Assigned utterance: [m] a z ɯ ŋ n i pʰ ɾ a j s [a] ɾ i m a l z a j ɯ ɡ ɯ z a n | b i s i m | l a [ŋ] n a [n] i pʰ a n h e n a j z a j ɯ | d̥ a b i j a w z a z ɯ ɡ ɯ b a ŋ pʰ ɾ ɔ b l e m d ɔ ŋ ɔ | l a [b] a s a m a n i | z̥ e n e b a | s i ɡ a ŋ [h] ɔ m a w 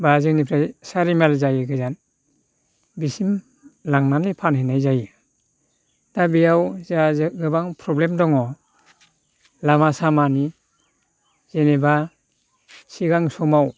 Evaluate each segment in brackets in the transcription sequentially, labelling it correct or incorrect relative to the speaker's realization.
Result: incorrect: b, correct, correct, correct, incorrect: m, incorrect: s

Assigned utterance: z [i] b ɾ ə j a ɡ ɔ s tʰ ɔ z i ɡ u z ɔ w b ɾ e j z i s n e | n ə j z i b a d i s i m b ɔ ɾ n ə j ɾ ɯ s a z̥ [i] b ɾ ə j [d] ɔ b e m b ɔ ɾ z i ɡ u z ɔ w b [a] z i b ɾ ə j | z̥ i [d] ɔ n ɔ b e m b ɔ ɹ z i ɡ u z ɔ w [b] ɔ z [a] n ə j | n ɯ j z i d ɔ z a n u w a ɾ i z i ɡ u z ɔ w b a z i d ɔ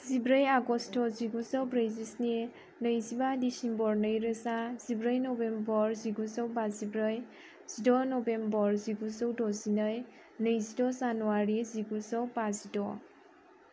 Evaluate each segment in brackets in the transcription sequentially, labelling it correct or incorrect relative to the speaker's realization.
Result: correct, correct, incorrect: n, correct, correct, incorrect: d, incorrect: i

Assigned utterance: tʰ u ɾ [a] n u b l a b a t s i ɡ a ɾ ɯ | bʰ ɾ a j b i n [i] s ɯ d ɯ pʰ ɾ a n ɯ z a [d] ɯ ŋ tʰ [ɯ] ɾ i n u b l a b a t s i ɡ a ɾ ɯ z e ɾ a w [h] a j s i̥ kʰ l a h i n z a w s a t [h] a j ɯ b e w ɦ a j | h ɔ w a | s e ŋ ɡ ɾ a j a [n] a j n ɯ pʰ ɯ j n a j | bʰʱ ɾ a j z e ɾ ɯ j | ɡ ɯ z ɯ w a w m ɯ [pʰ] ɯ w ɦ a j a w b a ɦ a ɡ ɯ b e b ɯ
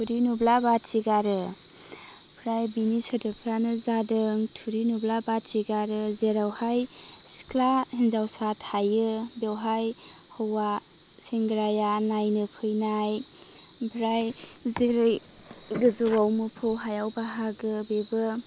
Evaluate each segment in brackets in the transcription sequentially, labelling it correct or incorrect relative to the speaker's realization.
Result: incorrect: i, correct, correct, incorrect: u, correct, correct, correct, correct

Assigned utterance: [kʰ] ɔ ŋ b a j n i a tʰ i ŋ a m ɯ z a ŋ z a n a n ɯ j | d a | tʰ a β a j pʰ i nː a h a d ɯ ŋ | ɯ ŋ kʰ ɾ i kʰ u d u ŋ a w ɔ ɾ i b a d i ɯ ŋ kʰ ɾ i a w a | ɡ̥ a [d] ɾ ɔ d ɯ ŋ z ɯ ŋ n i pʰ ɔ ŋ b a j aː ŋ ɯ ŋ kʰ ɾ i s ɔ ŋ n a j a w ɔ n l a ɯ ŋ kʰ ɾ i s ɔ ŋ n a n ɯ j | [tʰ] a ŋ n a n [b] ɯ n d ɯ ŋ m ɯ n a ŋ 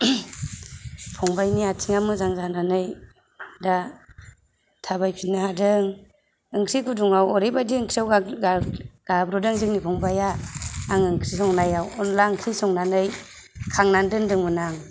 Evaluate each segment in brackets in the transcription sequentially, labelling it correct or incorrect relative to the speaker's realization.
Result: incorrect: pʰ, incorrect: b, incorrect: kʰ, incorrect: d

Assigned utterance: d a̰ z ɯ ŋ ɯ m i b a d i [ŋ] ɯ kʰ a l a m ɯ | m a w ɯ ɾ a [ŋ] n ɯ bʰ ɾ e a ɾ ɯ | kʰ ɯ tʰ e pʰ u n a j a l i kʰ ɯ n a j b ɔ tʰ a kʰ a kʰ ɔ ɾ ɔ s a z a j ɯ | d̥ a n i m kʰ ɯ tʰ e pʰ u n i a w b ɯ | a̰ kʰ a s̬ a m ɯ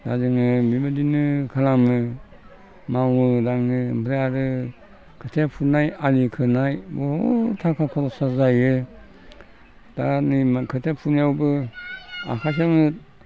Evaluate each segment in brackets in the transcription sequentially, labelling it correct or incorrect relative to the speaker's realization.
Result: incorrect: n, correct

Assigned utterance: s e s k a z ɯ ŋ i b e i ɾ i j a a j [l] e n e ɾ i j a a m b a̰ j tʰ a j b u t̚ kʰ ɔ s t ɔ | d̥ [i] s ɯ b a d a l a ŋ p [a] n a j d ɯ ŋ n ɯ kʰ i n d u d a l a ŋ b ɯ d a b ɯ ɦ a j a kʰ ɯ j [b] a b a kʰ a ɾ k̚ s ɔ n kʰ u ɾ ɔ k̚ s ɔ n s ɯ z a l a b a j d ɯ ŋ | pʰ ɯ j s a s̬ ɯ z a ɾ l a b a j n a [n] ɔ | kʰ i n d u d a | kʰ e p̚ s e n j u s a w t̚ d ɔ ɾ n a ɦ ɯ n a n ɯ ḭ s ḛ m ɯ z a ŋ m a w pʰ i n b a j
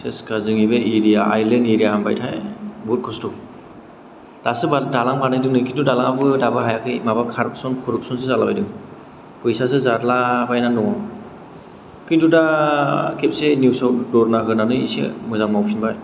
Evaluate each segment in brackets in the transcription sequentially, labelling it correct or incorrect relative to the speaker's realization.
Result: correct, incorrect: a, correct, incorrect: m, correct

